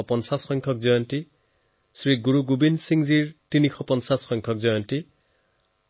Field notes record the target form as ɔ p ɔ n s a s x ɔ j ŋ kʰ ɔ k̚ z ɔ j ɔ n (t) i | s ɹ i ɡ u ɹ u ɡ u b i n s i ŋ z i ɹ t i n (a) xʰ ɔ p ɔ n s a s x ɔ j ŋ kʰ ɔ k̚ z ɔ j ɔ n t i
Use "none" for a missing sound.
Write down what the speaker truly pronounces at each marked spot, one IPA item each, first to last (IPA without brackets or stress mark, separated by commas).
t, i